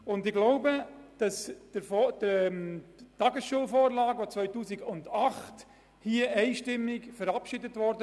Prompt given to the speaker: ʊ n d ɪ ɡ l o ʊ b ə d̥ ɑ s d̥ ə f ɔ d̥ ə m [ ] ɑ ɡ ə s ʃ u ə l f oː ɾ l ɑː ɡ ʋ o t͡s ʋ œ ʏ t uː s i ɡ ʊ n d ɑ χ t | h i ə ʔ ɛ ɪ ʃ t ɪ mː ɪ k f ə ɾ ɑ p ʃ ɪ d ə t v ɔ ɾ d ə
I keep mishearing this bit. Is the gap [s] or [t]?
t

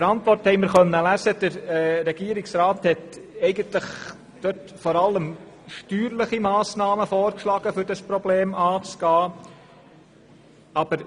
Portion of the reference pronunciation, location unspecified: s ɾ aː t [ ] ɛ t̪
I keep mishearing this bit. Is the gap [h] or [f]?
h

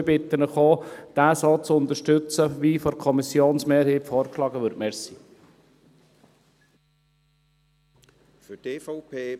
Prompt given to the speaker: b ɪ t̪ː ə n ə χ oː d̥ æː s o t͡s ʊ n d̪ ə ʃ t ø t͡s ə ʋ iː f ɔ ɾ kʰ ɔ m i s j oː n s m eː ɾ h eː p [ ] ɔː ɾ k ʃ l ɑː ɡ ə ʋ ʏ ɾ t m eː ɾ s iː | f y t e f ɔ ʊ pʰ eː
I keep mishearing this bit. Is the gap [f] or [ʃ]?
f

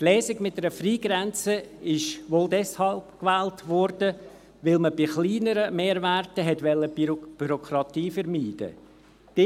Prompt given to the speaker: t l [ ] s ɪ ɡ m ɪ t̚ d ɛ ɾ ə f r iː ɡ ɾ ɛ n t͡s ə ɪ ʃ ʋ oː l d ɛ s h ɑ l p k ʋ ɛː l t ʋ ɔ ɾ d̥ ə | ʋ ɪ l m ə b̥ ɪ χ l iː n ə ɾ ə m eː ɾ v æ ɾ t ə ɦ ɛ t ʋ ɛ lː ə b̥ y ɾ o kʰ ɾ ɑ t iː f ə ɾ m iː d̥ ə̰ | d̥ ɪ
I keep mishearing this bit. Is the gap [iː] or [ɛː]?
ɛː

